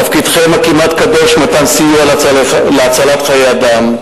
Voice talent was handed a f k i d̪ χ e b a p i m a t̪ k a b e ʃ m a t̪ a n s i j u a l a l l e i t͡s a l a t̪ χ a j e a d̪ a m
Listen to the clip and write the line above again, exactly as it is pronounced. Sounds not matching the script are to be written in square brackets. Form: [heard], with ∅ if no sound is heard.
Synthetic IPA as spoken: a f k i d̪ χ e [m] a [k] i m a t̪ k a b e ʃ m a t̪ a n s i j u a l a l l e [a] t͡s a l a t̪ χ a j e a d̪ a m